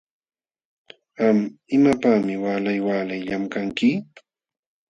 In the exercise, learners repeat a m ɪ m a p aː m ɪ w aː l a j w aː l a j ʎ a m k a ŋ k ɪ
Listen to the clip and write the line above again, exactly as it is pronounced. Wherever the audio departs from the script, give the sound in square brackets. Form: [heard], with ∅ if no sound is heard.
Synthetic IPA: a m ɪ m a p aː m ɪ w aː l a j w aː l a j ʎ a m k a ŋ k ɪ